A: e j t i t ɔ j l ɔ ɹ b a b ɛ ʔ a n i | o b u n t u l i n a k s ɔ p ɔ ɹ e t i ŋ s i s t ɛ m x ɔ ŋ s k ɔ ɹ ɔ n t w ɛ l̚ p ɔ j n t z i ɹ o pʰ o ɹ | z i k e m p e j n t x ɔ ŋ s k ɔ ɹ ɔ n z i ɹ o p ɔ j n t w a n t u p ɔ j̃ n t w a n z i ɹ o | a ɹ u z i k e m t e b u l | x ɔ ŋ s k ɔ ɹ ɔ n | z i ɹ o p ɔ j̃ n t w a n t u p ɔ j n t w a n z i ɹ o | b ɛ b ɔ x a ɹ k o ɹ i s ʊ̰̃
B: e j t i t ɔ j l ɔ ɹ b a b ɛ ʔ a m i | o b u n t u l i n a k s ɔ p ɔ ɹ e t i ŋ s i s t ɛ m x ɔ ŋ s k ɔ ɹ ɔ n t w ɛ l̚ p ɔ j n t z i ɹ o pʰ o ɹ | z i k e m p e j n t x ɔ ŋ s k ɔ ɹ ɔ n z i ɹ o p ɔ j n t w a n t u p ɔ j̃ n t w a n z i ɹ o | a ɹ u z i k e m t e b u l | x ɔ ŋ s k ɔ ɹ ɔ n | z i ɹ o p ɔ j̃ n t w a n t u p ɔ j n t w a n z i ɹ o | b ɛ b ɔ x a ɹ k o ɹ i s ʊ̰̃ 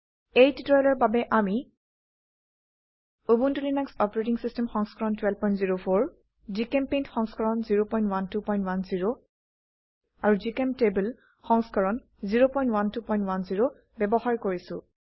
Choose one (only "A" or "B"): B